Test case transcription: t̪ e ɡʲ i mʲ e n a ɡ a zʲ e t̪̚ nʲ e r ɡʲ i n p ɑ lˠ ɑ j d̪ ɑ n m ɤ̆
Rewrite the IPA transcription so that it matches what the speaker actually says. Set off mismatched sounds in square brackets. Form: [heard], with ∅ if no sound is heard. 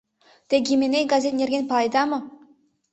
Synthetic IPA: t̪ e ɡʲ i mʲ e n [e] ɡ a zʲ e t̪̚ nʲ e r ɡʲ [e] n p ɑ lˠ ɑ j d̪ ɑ [∅] m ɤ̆